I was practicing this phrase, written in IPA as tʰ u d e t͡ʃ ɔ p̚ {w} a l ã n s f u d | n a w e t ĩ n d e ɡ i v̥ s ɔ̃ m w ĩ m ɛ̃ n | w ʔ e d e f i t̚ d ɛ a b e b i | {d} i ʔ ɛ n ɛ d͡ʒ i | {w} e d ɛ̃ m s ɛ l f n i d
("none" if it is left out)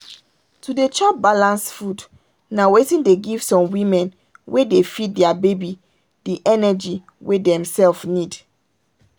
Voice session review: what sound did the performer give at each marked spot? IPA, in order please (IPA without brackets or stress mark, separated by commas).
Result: b, d, w